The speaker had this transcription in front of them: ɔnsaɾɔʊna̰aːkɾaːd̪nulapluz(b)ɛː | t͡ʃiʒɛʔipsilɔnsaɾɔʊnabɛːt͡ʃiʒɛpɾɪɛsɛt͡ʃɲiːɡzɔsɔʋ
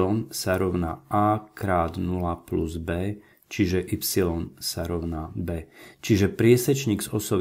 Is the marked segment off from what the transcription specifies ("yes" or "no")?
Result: no